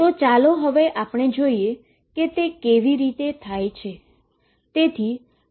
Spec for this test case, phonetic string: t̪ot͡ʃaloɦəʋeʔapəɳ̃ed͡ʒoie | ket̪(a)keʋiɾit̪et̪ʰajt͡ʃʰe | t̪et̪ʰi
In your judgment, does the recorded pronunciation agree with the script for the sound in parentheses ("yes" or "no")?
no